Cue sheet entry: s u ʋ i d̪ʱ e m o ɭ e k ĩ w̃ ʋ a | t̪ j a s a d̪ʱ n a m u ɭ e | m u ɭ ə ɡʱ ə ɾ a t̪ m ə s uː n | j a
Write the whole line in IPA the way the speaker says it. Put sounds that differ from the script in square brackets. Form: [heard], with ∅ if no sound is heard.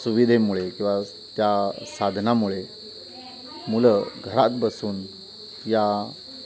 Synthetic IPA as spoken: s u ʋ i d̪ʱ e m [u] ɭ e k ĩ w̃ ʋ a | t̪ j a s a d̪ʱ n a m u ɭ e | m u [l] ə ɡʱ ə ɾ a t̪ [b] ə s uː n | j a